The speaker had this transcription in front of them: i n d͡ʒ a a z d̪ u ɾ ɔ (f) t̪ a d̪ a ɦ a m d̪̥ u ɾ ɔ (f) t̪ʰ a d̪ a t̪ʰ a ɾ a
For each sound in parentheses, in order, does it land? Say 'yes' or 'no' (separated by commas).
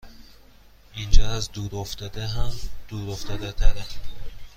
yes, yes